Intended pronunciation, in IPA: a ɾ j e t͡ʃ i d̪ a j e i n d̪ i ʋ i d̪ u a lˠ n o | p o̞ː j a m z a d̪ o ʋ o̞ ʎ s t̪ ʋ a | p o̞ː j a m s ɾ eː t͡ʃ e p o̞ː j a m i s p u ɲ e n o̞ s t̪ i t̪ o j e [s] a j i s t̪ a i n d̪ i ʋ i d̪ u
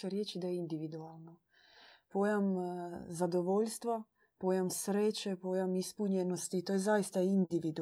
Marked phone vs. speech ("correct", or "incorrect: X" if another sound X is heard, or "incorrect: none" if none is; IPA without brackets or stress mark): incorrect: z